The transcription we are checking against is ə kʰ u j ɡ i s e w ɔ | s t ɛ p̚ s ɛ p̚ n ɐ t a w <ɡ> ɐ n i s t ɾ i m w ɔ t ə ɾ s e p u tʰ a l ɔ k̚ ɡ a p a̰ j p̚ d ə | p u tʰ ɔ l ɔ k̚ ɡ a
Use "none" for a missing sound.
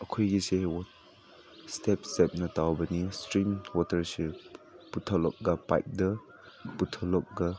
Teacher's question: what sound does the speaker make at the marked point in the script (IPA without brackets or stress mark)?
b